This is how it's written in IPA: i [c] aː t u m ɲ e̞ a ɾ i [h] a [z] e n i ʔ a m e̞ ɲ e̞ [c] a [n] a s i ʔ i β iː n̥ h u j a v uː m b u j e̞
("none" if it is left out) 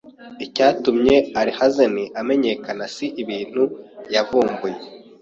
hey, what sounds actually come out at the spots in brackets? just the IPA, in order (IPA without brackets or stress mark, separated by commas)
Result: c, h, z, k, n